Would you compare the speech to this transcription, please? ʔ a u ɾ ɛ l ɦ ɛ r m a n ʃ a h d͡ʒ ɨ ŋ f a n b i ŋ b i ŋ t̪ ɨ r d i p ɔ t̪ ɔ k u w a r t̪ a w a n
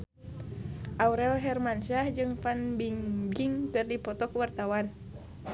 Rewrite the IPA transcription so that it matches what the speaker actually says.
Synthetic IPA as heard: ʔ a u ɾ ɛ l ɦ ɛ r m a n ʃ a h d͡ʒ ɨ ŋ f a n b i ŋ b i ŋ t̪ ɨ r d i p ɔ t̪ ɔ k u w a r t̪ a w a n